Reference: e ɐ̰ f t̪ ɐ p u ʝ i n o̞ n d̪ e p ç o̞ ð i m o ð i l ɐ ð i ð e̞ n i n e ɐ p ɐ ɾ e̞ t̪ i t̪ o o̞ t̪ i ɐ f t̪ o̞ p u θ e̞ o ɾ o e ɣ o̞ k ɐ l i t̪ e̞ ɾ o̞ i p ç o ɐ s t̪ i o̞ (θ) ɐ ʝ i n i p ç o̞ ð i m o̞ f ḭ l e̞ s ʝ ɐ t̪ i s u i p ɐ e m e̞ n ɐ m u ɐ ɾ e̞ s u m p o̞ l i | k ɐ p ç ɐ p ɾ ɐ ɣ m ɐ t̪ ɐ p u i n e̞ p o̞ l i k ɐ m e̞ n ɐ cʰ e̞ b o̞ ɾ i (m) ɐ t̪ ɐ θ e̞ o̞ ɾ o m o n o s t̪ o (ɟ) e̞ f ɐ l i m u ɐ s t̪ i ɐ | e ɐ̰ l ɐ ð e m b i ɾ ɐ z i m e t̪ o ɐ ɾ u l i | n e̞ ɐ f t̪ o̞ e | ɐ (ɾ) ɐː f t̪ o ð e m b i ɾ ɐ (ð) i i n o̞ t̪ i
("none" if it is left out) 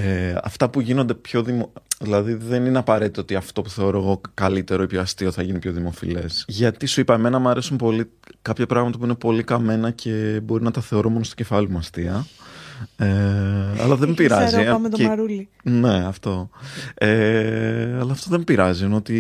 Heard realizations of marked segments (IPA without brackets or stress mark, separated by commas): θ, n, c, l, z